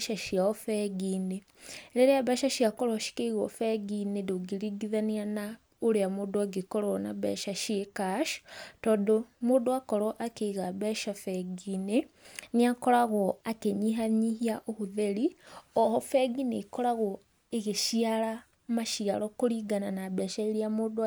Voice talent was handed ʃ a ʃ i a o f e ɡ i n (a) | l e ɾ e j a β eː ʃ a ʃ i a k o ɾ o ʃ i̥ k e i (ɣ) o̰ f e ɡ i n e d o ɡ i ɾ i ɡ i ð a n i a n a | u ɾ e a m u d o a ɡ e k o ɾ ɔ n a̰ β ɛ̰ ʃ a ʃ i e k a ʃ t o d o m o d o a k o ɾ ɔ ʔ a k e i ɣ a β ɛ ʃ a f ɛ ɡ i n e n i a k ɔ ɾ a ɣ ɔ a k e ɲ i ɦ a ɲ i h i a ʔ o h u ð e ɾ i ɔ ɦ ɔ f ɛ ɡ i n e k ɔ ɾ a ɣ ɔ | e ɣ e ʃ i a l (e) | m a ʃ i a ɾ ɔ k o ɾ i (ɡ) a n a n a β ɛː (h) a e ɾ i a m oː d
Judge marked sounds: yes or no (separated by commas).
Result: no, yes, no, yes, no